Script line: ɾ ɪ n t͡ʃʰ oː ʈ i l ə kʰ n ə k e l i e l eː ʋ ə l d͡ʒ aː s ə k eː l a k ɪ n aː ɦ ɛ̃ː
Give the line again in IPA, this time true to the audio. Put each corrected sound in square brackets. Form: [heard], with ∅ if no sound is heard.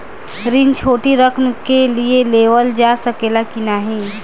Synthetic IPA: ɾ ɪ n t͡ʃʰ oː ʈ i [ɾ] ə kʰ n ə k e l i e l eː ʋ ə l d͡ʒ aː s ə k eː l a k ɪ n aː ɦ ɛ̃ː